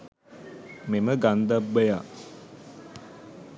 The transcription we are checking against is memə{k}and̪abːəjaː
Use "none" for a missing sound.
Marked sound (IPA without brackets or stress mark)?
ɡ